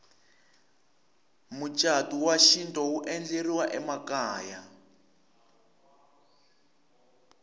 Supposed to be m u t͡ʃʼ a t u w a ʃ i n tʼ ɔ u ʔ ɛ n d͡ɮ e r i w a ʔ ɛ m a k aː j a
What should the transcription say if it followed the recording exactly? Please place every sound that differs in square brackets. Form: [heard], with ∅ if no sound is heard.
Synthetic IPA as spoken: m u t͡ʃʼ a t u w a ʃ i n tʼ ɔ u ʔ ɛ n d͡ɮ e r i w a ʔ ɛ m a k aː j a